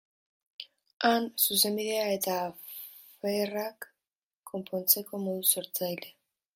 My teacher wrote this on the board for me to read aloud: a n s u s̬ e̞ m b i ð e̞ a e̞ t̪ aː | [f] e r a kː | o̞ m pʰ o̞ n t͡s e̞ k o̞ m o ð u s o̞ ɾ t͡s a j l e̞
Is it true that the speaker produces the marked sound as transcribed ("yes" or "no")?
yes